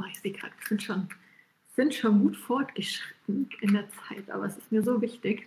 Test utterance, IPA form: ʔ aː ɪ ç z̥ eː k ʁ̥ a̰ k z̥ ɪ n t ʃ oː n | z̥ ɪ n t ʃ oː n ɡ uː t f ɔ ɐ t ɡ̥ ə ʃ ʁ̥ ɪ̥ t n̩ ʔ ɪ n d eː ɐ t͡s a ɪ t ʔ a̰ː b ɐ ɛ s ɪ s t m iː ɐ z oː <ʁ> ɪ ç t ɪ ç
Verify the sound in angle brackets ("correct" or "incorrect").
incorrect